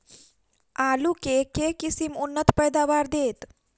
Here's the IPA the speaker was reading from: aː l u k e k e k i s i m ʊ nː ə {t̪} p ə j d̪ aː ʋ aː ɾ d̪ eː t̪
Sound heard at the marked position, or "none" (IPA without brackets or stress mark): t̪